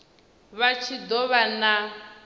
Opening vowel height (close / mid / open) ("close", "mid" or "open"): open